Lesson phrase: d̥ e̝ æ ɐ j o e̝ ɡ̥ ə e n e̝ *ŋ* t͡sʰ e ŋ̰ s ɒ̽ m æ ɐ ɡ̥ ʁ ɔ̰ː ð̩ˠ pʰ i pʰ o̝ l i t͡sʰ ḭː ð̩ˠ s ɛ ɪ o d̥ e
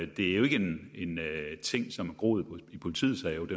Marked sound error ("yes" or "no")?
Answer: yes